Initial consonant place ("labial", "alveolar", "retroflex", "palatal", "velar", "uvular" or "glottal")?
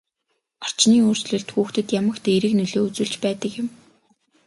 alveolar